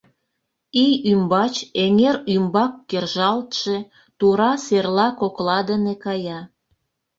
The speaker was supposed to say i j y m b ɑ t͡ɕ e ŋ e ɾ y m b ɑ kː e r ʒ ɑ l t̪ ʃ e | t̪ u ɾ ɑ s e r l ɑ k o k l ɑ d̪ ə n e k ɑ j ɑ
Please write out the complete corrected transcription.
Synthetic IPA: i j y m b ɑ t͡ɕ e ŋ e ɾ y m b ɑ kː e r ʒ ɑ l t̪ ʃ e | t̪ u ɾ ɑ s e r l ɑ k o k l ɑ d̪ ə n e k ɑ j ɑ